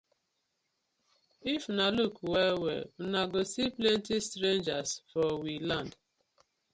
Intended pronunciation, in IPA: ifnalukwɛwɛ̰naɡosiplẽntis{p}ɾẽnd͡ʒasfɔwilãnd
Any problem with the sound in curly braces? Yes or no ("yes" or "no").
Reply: yes